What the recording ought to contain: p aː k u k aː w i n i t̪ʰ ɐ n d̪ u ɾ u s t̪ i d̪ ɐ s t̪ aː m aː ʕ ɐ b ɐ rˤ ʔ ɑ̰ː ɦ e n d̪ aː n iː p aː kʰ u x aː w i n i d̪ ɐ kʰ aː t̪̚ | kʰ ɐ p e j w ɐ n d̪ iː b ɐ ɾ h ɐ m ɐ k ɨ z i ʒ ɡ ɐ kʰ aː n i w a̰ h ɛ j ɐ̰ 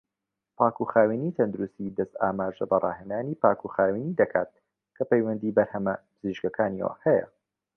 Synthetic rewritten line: p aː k u x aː w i n i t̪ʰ ɐ n d̪ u ɾ u s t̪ i d̪ ɐ s t̪ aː m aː ʒ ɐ b ɐ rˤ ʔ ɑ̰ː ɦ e n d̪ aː n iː p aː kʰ u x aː w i n i d̪ ɐ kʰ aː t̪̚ | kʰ ɐ p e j w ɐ n d̪ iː b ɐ ɾ h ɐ m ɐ p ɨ z i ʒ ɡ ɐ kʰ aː n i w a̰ h ɛ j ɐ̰

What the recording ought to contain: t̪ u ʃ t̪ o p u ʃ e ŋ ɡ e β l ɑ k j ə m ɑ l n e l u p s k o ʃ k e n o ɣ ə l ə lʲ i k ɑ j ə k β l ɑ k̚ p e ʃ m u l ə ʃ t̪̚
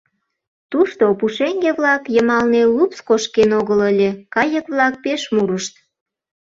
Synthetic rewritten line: t̪ u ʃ t̪ o p u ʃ e ŋ ɡ e β l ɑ k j ə m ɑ l n e l u p s k o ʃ k e n o ɣ ə l ə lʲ e k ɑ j ə k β l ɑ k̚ p e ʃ m u ɾ ə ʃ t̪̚

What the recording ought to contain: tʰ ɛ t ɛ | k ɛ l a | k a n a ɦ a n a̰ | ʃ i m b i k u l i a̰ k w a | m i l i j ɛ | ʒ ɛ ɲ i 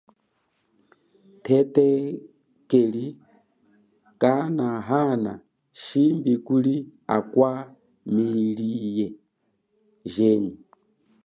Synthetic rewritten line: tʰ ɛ t ɛ | k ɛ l i | k a n a ɦ a n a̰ | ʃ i m b i k u l i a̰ k w a | m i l i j ɛ | ʒ ɛ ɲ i

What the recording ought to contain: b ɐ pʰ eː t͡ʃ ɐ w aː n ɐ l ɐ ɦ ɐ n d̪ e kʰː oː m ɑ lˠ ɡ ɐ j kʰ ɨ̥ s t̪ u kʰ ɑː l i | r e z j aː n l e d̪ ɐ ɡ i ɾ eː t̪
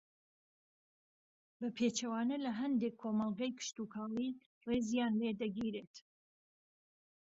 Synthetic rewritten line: b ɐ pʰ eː t͡ʃ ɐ w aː n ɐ l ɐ ɦ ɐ n d̪ e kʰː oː m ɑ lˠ ɡ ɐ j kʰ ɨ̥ ʃ t̪ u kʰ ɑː l i | r e z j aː n l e d̪ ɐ ɡ i ɾ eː t̪

